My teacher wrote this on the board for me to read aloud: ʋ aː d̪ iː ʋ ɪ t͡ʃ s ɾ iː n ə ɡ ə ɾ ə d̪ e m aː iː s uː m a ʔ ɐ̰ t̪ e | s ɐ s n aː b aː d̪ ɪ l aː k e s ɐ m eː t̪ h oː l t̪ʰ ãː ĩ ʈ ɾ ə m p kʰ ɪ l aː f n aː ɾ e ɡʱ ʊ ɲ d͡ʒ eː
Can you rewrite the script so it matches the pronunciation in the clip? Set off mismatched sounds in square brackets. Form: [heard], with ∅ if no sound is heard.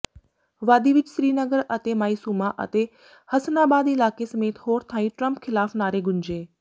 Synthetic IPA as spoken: ʋ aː d̪ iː ʋ ɪ t͡ʃ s ɾ iː n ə ɡ ə ɾ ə [t̪] e m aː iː s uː m a ʔ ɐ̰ t̪ e | [h] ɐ s n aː b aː d̪ ɪ l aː k e s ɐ m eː t̪ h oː [ɾ] t̪ʰ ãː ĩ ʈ ɾ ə m p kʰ ɪ l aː f n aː ɾ e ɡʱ ʊ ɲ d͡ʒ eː